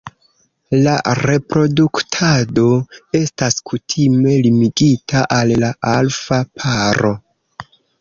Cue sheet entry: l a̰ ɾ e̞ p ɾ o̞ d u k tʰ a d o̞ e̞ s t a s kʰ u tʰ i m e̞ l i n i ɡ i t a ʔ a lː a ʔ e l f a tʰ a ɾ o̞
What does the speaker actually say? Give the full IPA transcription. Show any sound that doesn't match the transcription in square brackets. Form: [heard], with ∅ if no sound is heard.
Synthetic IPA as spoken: l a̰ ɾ e̞ p ɾ o̞ d u k tʰ a d o̞ e̞ s t a s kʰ u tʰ i m e̞ l i [m] i ɡ i t a ʔ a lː a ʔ [a] l f a [pʰ] a ɾ o̞